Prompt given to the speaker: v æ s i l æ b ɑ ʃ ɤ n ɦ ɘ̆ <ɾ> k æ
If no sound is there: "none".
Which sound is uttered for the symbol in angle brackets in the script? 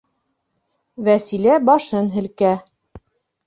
l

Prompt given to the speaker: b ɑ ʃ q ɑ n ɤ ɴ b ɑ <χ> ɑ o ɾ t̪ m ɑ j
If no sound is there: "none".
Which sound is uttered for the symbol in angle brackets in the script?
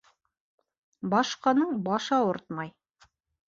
ʃ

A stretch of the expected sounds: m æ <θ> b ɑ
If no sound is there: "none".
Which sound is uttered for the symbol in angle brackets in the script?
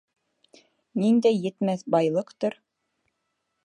θ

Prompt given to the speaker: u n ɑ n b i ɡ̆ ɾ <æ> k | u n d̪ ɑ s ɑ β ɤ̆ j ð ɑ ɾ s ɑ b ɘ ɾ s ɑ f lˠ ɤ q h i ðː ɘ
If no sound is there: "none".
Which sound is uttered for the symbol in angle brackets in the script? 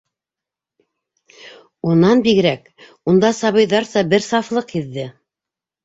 æ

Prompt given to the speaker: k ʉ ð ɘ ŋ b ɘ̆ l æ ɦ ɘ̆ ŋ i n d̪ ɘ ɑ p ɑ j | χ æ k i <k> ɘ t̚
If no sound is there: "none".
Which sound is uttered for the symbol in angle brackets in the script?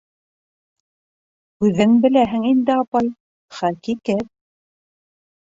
k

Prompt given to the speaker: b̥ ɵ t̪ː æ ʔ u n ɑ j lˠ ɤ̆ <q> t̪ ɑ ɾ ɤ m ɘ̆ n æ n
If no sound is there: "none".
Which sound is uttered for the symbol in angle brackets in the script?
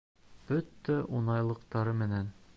q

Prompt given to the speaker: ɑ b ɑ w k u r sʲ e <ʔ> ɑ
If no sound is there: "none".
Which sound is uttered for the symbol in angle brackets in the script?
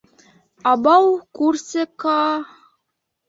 k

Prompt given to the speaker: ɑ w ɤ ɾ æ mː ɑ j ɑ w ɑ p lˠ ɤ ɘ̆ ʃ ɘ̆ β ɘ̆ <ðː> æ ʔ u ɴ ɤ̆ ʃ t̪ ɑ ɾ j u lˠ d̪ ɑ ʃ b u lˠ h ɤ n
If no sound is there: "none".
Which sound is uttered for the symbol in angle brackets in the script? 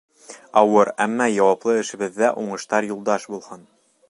ðː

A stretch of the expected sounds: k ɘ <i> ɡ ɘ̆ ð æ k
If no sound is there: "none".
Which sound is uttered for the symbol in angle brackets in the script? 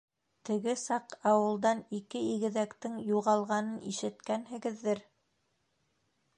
i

